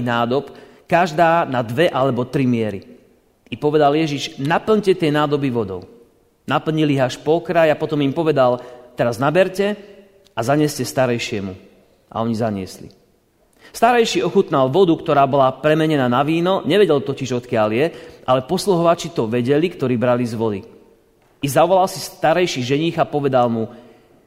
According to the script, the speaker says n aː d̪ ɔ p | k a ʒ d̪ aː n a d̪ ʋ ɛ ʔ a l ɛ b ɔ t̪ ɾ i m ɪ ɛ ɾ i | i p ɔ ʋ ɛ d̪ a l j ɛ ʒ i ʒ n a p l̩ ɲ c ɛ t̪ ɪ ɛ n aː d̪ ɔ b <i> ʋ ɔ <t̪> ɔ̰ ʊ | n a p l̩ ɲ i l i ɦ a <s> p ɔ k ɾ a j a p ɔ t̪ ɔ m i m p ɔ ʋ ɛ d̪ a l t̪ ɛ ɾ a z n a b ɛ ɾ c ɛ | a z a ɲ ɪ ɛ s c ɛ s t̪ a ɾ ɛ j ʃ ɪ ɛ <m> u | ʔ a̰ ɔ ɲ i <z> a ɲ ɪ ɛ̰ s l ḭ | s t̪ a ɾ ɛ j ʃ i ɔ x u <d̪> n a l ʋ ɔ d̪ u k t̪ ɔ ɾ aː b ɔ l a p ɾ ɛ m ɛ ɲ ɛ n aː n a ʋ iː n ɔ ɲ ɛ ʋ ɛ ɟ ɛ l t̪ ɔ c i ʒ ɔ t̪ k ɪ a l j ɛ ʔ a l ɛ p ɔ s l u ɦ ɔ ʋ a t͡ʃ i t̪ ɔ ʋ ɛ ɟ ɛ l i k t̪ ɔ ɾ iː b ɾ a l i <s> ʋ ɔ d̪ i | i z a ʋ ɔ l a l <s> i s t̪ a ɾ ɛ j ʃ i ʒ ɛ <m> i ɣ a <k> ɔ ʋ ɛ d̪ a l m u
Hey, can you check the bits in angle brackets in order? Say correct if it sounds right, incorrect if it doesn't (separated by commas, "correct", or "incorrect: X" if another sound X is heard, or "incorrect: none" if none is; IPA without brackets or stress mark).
correct, incorrect: d̪, incorrect: ʃ, correct, correct, incorrect: t̪, incorrect: z, correct, incorrect: ɲ, incorrect: p